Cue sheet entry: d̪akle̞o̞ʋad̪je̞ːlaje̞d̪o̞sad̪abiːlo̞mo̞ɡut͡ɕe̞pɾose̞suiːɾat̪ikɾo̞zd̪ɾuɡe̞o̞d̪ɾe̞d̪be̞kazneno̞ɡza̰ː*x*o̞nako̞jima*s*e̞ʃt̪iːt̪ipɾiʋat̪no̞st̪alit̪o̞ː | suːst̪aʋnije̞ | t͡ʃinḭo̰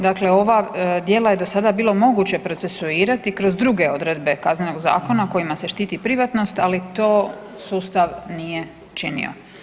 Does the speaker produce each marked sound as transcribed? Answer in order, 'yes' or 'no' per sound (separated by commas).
no, yes